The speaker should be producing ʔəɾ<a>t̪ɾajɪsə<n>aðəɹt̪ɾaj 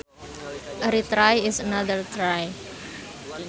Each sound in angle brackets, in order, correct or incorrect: incorrect, correct

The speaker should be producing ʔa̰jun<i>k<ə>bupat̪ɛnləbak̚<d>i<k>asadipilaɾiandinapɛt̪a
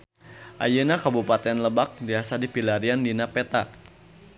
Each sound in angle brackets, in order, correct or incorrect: incorrect, incorrect, correct, incorrect

